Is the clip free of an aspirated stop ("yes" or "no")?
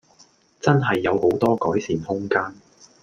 yes